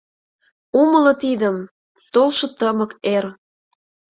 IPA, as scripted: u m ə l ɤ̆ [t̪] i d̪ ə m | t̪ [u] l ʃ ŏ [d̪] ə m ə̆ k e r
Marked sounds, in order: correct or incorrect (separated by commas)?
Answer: correct, incorrect, incorrect